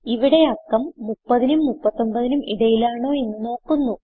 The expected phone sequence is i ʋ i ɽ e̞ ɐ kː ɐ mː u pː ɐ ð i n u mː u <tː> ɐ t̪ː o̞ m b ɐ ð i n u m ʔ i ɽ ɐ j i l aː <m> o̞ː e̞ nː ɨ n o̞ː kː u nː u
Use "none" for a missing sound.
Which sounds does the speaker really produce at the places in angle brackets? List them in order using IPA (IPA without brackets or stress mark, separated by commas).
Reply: pː, ɳ